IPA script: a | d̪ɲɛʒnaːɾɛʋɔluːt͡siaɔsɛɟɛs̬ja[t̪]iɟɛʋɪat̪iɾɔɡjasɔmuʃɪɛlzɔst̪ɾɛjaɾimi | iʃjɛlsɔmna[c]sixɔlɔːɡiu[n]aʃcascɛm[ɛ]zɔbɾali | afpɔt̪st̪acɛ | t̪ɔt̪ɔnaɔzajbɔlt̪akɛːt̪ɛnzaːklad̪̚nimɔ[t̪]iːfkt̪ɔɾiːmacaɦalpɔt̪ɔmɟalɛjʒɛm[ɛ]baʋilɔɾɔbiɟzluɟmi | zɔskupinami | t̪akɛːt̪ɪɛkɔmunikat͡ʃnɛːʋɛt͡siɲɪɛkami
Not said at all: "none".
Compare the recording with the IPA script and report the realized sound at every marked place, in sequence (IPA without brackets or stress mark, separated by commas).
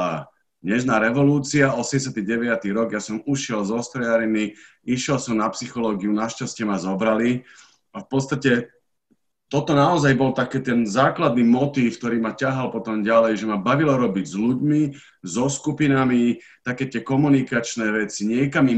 t̪, p, n, a, t̪, a